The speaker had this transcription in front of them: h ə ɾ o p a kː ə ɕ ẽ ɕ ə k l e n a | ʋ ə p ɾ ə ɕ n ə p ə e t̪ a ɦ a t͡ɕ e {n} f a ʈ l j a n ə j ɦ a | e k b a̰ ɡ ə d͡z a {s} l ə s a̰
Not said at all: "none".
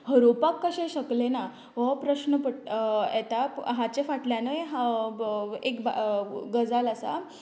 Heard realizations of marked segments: none, none

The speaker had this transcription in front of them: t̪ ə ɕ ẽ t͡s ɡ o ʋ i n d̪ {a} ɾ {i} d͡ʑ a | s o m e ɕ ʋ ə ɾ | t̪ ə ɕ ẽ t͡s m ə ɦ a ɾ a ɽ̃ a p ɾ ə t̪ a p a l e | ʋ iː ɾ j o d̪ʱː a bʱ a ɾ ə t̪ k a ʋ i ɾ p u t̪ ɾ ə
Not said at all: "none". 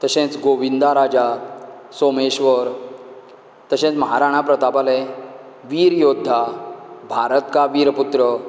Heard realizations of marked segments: a, a

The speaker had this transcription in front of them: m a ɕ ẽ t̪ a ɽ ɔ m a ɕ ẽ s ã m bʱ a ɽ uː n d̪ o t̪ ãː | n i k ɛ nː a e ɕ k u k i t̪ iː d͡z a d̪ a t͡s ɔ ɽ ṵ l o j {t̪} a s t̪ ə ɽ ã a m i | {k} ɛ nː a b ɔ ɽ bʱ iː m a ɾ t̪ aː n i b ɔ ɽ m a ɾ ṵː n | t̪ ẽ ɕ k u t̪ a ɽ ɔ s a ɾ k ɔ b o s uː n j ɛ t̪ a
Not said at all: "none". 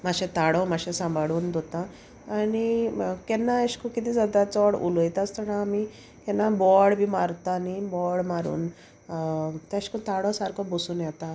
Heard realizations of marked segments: t̪, k

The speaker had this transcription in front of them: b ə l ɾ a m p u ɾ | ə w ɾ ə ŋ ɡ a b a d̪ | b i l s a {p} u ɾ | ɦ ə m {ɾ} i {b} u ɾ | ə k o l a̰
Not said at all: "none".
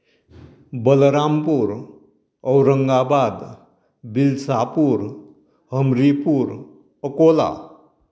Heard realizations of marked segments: p, ɾ, p

